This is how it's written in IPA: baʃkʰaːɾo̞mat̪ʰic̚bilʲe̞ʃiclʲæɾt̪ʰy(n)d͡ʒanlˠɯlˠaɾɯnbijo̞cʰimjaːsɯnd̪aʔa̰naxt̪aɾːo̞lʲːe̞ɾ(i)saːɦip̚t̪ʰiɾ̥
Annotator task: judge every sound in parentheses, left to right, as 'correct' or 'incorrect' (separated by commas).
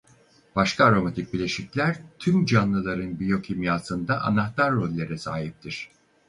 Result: incorrect, incorrect